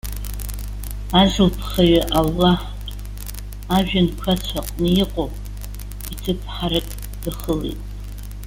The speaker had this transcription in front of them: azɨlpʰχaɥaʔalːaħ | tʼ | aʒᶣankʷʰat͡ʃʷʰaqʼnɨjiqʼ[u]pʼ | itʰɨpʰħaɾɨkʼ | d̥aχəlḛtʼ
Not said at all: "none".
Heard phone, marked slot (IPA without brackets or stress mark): o